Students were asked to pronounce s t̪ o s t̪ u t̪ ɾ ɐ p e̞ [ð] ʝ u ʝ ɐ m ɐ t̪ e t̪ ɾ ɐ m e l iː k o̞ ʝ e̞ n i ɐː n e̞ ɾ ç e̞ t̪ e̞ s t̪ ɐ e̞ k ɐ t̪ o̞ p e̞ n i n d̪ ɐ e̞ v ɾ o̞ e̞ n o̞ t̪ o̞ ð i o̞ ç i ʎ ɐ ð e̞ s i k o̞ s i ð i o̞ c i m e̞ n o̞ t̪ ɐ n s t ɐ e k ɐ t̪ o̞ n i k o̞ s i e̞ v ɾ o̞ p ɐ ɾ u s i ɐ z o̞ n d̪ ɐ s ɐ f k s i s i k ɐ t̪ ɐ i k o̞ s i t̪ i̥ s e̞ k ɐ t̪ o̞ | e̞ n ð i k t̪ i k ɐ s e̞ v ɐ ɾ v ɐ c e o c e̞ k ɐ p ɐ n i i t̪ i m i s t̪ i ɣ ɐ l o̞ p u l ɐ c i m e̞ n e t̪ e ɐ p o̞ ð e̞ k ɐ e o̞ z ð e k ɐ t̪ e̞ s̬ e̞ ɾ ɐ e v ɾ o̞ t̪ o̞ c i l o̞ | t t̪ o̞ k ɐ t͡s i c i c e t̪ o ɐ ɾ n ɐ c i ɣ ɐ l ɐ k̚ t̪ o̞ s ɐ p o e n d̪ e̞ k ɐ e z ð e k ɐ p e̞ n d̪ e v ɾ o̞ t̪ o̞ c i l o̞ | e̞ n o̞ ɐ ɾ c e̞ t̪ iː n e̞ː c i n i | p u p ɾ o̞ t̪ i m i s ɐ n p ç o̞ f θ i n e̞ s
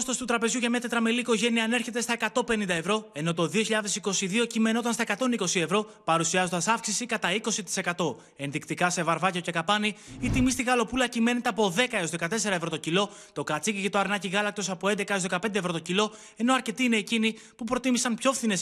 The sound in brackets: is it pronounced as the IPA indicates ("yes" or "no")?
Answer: no